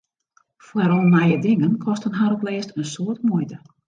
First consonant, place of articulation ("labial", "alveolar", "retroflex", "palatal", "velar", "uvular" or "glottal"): labial